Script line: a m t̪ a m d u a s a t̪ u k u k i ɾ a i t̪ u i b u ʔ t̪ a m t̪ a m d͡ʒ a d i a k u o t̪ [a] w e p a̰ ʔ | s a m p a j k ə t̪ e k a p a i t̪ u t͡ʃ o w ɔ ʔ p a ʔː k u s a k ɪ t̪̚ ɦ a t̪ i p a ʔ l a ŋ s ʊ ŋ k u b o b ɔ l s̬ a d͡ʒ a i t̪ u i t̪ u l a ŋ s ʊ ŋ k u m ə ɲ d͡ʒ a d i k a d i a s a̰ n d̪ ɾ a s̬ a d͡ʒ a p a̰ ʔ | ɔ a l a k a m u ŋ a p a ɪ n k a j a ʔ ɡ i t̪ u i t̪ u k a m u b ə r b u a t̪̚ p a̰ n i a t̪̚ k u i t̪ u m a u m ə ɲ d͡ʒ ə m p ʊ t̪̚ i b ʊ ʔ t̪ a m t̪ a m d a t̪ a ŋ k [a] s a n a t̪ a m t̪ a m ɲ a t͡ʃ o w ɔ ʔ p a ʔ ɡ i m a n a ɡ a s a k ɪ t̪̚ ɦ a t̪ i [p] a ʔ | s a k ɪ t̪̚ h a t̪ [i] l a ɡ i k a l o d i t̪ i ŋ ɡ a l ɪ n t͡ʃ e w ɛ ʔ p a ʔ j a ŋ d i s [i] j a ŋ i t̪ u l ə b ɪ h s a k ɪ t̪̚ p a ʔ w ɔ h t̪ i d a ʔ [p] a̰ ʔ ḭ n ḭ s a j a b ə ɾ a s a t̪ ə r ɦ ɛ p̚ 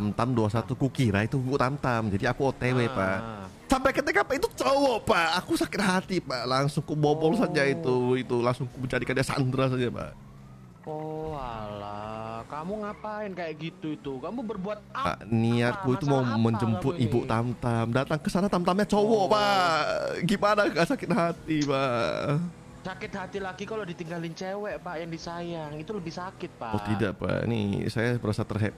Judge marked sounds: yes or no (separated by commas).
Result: no, no, yes, yes, no, yes